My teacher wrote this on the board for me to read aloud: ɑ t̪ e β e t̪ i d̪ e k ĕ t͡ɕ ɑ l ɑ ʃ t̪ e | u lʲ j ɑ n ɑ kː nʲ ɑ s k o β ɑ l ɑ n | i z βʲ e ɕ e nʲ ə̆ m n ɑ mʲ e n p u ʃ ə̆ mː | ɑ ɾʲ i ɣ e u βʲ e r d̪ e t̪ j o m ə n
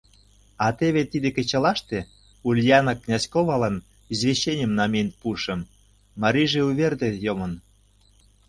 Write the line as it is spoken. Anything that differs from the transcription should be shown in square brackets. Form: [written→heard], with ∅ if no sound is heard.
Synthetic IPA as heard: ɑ t̪ e β e t̪ i d̪ e k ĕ t͡ɕ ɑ l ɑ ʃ t̪ e | u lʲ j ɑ n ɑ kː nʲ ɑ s k o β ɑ l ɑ n | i z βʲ e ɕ e nʲ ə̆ m n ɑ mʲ e n p u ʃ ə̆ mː | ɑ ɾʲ i [ɣ→ʒ] e u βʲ e r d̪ e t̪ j o m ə n